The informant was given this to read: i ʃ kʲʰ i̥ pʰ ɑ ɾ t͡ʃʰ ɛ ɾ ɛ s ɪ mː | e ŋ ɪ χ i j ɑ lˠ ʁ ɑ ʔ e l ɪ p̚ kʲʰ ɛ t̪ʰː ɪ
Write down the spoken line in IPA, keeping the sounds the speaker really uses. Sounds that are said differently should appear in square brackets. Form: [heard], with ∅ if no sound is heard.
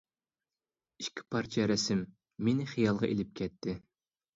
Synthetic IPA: i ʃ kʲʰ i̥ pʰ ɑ ɾ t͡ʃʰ ɛ ɾ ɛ s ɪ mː | e [n] ɪ χ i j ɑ lˠ ʁ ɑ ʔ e l ɪ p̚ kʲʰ ɛ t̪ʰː ɪ

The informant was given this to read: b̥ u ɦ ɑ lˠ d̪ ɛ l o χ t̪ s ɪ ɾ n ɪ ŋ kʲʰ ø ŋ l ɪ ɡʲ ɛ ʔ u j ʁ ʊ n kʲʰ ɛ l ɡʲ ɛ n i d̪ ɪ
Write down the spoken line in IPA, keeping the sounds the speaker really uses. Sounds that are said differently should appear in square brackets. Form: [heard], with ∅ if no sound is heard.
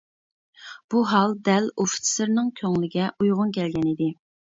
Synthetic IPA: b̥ u ɦ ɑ lˠ d̪ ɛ l o [f] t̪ s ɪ ɾ n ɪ ŋ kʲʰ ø ŋ l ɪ ɡʲ ɛ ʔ u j ʁ ʊ n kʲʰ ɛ l ɡʲ ɛ n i d̪ ɪ

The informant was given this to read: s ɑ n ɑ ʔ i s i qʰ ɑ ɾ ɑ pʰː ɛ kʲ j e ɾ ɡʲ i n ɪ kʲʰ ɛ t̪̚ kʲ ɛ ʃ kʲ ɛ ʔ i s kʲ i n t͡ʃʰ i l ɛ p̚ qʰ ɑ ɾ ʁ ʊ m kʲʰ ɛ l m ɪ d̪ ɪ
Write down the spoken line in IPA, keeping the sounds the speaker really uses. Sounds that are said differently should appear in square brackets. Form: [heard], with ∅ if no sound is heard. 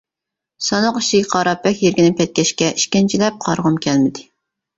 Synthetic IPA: s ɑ n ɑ [q] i [ʃ] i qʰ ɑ ɾ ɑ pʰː ɛ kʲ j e ɾ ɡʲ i n ɪ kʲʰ ɛ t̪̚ kʲ ɛ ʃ kʲ ɛ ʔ i [ʃ] kʲ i n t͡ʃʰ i l ɛ p̚ qʰ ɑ ɾ ʁ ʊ m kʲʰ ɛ l m ɪ d̪ ɪ

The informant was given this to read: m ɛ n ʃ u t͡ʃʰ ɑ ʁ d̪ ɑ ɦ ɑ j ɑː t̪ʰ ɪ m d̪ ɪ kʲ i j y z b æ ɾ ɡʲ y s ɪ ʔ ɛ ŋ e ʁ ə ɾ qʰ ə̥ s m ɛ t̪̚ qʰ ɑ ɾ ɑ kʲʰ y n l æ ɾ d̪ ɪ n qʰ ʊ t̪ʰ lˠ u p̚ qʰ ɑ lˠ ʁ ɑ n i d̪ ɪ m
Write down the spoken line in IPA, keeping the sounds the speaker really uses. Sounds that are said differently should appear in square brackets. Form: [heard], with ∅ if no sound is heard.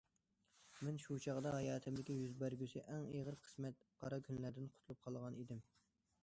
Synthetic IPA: m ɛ n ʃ u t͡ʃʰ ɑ ʁ d̪ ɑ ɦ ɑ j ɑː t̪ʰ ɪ m d̪ ɪ kʲ i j y z b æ ɾ ɡʲ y s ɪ ʔ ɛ ŋ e ʁ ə ɾ qʰ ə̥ s m ɛ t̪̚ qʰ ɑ ɾ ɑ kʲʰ y n l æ ɾ d̪ ɪ n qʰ ʊ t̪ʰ lˠ u p̚ qʰ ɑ lˠ ʁ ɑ n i d̪ ɪ m

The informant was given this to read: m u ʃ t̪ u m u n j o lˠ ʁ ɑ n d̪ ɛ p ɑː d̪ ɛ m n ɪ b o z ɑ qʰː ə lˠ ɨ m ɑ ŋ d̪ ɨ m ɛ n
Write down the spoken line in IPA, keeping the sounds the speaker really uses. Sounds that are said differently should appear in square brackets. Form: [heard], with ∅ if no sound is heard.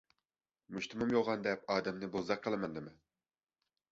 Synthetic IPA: m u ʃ t̪ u m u [m] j o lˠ ʁ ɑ n d̪ ɛ p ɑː d̪ ɛ m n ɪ b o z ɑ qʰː ə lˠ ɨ m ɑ [n] d̪ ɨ m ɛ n

